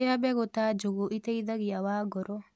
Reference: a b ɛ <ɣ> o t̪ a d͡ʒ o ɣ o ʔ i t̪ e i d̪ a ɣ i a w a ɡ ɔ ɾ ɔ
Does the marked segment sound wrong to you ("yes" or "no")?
no